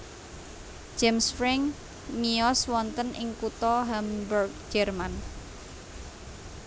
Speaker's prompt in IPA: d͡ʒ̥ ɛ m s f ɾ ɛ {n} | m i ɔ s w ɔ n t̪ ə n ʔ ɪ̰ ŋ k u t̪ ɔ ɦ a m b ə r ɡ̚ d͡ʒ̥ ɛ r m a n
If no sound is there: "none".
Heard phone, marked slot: ŋ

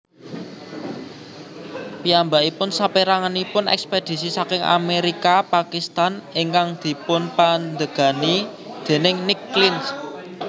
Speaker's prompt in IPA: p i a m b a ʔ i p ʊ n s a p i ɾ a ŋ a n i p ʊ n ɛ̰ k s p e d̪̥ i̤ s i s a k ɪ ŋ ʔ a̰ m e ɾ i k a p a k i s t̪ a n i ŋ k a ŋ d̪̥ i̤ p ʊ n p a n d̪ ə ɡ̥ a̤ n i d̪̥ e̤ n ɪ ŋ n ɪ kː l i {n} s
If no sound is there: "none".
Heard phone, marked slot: n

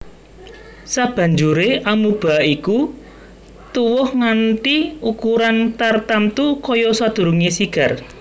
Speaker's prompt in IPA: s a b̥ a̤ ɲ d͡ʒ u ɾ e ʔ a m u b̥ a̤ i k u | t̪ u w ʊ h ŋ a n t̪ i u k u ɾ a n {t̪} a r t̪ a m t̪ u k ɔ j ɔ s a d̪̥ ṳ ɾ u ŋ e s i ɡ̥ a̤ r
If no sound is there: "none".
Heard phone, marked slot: t̪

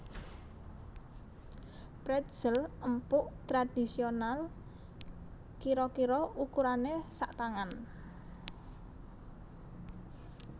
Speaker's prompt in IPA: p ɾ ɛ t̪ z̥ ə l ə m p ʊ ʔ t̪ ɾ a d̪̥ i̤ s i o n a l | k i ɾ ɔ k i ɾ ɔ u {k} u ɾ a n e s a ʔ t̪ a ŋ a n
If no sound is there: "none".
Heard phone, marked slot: k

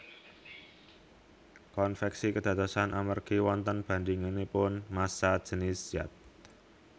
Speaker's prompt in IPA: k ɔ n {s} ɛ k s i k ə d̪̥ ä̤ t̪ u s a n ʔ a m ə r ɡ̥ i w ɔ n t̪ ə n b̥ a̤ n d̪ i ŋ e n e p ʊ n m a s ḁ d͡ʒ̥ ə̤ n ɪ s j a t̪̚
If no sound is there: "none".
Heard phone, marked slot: f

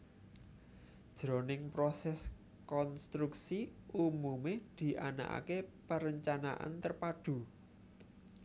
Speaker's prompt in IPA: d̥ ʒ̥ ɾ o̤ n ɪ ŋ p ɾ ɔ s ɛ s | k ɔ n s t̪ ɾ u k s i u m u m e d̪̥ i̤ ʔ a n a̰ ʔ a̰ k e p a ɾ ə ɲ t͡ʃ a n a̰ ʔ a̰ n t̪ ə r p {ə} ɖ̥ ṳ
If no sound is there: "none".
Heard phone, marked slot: a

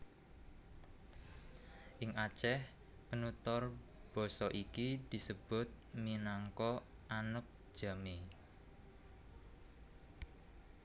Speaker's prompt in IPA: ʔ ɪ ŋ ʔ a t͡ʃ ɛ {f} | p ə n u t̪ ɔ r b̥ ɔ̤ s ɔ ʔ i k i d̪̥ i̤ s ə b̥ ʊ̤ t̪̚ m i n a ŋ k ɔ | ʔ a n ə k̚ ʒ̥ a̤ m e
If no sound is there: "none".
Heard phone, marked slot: h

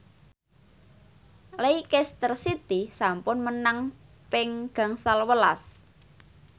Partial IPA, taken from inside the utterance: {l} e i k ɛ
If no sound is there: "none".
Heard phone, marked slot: l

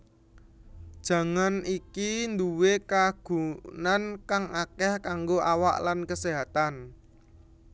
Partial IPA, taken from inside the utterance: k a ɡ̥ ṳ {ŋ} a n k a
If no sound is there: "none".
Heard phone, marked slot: n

